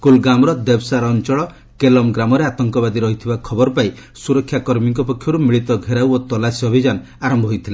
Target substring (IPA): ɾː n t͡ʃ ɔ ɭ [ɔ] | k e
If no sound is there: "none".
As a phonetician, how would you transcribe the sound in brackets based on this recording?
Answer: ɔ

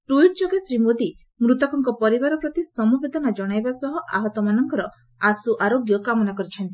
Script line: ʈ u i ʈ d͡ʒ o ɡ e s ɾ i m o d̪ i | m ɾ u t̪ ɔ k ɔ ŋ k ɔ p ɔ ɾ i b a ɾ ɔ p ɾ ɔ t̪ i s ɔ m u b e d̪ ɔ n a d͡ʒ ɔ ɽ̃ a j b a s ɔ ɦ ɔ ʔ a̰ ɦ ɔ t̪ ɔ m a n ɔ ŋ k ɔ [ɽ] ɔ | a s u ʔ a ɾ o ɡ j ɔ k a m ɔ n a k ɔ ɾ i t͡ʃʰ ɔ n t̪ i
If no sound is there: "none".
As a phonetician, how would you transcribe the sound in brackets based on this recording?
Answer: ɾ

